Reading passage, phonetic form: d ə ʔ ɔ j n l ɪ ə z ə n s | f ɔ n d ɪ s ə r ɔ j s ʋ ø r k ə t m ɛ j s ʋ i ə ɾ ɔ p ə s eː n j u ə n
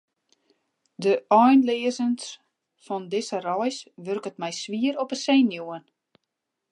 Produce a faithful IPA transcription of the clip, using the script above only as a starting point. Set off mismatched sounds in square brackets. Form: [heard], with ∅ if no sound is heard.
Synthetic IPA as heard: d ə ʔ ɔ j n l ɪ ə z ə n s | f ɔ n d ɪ s ə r ɔ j s ʋ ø r k ə t m ɛ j s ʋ i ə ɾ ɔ p ə s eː n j u ə n

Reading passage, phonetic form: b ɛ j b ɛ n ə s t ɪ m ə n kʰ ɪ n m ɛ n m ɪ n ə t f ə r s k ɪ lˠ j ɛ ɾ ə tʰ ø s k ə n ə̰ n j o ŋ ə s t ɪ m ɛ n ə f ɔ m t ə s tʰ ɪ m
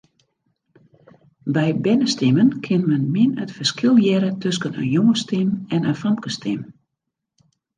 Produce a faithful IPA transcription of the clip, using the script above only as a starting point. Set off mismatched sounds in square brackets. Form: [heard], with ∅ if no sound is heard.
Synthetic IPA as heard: b ɛ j b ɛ n ə s t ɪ m ə n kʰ ɪ n m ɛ n m ɪ n ə t f ə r s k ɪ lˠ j ɛ ɾ ə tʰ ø s k ə n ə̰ n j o ŋ ə s t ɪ m ɛ n ə f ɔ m [k] ə s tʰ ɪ m

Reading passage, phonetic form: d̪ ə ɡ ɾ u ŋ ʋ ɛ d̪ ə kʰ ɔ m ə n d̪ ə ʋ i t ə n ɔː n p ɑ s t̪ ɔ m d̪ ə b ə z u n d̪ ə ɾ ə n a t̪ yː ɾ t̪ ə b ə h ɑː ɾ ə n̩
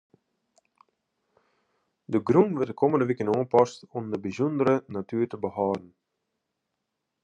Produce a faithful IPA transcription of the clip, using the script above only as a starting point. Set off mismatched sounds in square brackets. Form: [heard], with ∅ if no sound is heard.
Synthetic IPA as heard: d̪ ə ɡ ɾ u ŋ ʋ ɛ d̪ ə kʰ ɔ m ə n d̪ ə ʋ i [k] ə n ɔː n p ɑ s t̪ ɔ m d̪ ə b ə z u n d̪ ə ɾ ə n a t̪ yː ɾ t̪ ə b ə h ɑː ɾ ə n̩

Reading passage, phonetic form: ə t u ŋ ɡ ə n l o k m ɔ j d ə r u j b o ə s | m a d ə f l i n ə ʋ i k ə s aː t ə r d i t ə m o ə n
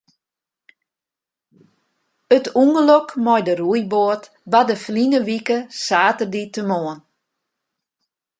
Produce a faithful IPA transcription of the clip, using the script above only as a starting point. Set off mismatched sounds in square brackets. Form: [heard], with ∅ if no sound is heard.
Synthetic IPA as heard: ə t u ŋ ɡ ə [∅] l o k m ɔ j d ə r u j b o ə [t] | [b] a d ə f l i n ə ʋ i k ə s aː t ə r d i t ə m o ə n

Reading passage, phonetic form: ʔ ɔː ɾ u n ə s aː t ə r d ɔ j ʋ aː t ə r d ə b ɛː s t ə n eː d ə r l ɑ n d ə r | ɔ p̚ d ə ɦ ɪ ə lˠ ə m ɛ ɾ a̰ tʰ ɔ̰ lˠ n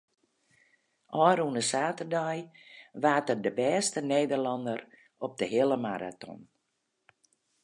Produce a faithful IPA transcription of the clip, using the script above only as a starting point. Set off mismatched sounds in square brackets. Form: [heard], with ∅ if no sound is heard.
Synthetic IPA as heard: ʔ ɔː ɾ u n ə s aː t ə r d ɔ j ʋ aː t ə r d ə b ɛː s t ə n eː d ə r l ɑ n d ə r | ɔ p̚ d ə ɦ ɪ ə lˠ ə m [a] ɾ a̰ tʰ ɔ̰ [∅] n

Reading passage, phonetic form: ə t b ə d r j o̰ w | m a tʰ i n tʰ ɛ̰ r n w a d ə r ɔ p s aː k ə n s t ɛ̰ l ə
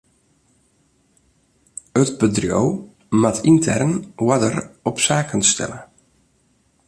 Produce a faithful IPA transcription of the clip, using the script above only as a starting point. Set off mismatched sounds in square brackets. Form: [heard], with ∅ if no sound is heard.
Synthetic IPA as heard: ə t b ə d r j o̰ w | m a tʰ i n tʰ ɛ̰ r n w a d ə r ɔ p s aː k ə n s t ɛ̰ l ə

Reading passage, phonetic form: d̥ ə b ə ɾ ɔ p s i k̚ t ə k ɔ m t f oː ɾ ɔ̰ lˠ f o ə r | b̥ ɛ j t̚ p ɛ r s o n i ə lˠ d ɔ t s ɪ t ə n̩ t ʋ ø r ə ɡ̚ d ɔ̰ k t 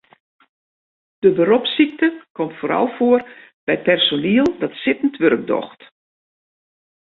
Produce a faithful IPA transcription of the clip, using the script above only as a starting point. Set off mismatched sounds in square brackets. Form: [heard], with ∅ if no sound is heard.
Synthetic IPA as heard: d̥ ə b ə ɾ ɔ p s i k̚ t ə k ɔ m t f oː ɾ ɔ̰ lˠ f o ə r | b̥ ɛ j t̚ p ɛ r s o n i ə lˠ d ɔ t s ɪ t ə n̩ t ʋ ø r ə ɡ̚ d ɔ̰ [x] t

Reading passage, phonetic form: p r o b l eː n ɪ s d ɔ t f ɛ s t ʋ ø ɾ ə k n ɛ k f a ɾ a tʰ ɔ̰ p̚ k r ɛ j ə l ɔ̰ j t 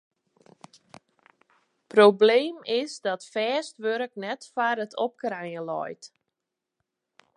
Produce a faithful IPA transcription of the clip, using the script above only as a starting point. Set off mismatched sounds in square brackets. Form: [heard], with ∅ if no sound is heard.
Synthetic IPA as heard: p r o b l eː [m] ɪ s d ɔ t f [ɛː] s t ʋ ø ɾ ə k n ɛ [t] f a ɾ [ə] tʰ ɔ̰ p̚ k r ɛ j ə l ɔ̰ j t

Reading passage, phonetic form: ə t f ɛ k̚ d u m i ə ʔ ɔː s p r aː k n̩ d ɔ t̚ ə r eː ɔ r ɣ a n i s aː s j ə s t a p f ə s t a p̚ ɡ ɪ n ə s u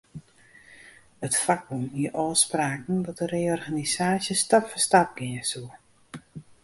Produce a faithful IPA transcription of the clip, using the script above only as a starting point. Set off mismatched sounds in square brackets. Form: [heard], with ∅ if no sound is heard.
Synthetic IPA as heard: ə t f [a] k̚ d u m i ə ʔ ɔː s p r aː k n̩ d ɔ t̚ ə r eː ɔ r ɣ a n i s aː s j ə s t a p f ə s t a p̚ ɡ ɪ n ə s u

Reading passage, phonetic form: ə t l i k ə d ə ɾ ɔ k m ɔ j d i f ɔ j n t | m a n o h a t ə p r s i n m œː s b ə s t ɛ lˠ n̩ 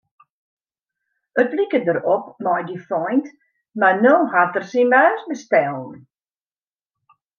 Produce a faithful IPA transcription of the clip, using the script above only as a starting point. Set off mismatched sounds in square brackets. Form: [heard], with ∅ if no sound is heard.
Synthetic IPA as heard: ə t l i k ə d ə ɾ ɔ [p] m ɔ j d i f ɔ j n t | m a n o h a t ə [∅] r s i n m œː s b ə s t ɛ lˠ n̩

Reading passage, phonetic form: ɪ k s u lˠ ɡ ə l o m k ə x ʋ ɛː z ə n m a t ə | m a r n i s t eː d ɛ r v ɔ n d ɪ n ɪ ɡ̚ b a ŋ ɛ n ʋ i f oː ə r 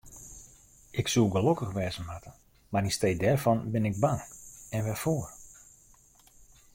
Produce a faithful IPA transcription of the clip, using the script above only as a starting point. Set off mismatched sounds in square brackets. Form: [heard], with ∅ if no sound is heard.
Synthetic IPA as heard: ɪ k s u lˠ ɡ ə l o [∅] k ə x ʋ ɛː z ə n m a t ə | m a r n i s t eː d ɛ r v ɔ n [b] ɪ n ɪ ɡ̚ b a ŋ ɛ n ʋ [ɛ] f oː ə r

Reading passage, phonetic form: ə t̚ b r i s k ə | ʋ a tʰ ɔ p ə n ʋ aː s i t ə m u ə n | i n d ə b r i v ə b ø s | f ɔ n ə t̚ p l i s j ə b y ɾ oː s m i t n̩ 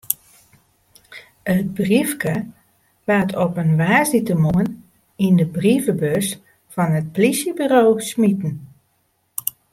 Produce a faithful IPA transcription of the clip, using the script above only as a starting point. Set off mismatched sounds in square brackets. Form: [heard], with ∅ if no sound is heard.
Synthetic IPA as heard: ə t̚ b r i [f] k ə | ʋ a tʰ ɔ p ə n ʋ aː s i t ə m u ə n | i n d ə b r i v ə b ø s | f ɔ n ə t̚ p l i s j ə b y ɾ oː s m i t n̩

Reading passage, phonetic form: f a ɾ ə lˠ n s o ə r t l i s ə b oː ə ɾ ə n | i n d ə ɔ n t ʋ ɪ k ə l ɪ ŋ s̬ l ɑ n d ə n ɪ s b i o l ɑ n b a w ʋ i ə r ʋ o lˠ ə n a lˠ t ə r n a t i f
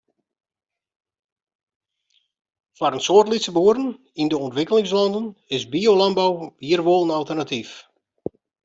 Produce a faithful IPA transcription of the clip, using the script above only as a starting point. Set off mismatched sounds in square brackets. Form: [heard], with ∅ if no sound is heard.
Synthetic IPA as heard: f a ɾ ə [∅] n s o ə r t l i s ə b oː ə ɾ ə n | i n d ə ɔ n t ʋ ɪ k ə l ɪ ŋ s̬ l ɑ n d ə n ɪ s b i o l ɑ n b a w ʋ i ə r ʋ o lˠ ə n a lˠ t ə r n a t i f

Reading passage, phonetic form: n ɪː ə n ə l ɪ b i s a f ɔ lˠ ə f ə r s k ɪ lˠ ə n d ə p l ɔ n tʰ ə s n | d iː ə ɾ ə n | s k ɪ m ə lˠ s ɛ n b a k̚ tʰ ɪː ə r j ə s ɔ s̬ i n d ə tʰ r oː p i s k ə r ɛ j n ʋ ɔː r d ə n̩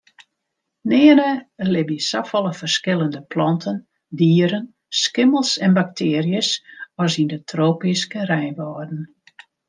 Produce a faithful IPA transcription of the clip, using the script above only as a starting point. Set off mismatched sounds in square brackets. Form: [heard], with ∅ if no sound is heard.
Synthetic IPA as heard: n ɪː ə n ə l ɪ b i s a f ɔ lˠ ə f ə r s k ɪ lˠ ə n d ə p l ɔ n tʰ ə [∅] n | d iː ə ɾ ə n | s k ɪ m ə lˠ s ɛ n b a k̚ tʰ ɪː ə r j ə s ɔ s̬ i n d ə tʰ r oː p i s k ə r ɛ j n ʋ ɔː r d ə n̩

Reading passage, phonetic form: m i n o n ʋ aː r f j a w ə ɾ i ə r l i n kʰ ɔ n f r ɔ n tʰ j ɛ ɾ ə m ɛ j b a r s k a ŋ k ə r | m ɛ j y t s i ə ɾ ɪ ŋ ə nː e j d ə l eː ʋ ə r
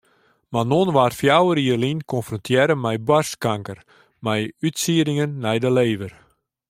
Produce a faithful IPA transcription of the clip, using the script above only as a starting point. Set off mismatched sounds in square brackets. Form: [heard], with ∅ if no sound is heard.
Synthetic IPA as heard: m [a] n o n ʋ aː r f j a w ə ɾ i ə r l i n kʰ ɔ n f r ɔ n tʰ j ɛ ɾ ə m ɛ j b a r s k a ŋ k ə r | m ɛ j y t s i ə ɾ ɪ ŋ ə nː [ɛ] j d ə l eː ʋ ə r

